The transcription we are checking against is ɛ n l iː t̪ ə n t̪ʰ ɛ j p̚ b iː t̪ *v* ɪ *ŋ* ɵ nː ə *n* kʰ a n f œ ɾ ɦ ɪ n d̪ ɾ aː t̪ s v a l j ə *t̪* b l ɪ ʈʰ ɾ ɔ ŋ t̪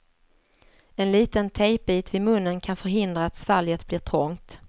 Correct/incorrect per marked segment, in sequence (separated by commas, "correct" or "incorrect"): correct, incorrect, correct, correct